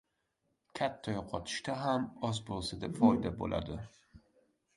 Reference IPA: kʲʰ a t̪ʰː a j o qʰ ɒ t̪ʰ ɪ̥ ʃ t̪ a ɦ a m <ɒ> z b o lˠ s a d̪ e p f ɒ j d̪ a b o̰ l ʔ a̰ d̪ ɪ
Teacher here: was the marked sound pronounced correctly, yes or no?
yes